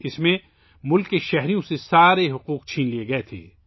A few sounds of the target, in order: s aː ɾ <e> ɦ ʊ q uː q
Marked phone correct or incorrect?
correct